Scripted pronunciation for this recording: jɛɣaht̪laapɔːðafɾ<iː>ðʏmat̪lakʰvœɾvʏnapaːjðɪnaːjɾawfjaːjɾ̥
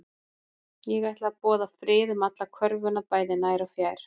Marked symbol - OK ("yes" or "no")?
no